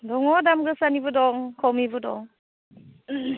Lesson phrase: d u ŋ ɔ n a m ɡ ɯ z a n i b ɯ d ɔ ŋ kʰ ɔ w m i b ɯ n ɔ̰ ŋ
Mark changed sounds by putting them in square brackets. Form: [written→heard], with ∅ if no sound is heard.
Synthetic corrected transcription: d [u→ɔ] ŋ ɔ [n→d] a m ɡ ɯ [z→s] a n i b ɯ d ɔ ŋ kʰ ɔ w m i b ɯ [n→d] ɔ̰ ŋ